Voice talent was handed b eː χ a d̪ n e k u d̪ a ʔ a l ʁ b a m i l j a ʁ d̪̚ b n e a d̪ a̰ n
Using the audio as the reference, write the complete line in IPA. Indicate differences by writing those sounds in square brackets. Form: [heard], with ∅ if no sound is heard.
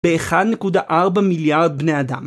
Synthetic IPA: b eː χ a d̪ n e k u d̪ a ʔ a [∅] ʁ b a m i l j a ʁ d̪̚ b n e a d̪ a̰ [m]